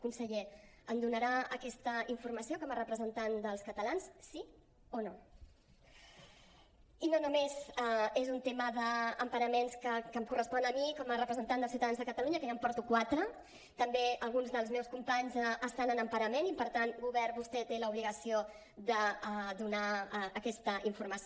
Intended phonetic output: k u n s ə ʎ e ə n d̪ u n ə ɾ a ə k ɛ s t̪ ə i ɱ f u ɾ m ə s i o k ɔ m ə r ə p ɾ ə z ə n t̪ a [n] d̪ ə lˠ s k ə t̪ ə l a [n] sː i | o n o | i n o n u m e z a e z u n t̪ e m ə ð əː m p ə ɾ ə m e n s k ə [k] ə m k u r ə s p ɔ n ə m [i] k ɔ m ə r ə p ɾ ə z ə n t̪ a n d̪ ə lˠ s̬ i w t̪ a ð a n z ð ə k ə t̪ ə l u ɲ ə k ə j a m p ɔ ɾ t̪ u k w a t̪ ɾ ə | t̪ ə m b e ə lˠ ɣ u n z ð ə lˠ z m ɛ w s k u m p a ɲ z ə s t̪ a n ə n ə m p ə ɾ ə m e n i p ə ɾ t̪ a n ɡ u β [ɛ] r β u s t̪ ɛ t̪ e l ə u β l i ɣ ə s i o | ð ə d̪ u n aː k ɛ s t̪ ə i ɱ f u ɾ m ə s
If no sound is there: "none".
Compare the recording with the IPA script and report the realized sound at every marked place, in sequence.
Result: n, n, k, i, ɛ

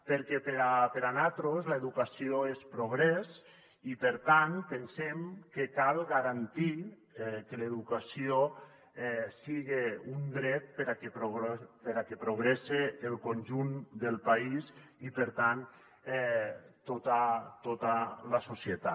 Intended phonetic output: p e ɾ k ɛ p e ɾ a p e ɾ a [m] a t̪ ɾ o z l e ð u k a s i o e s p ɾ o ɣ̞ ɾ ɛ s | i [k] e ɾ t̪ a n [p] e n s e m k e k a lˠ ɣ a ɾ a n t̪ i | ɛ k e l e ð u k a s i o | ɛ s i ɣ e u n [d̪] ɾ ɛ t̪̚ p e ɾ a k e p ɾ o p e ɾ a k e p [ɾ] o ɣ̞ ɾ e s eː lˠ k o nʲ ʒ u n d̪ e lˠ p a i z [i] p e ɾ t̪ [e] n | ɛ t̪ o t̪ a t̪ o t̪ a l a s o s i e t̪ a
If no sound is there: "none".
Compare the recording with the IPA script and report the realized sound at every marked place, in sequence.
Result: n, p, p, d̪, ɾ, i, a

